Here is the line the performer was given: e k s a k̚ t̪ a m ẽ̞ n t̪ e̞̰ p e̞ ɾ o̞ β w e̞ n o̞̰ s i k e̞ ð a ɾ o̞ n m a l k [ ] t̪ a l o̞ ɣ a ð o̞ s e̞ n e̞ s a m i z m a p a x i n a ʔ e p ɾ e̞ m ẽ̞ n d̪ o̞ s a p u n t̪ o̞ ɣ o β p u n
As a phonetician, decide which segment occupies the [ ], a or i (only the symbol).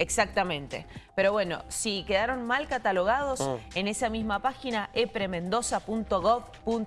a